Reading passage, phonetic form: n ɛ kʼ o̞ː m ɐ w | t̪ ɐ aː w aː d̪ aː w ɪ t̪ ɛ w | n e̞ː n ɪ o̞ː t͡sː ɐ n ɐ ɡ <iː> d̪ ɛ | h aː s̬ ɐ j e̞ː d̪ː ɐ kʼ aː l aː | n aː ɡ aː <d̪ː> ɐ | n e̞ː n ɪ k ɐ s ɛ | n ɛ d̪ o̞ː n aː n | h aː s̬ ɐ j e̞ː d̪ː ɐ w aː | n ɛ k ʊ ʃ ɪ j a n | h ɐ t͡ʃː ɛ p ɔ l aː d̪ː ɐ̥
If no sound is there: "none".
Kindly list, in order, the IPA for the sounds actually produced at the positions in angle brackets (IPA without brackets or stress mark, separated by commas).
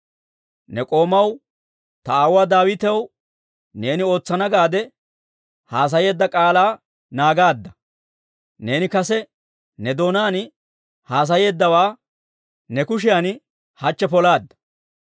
aː, d̪ː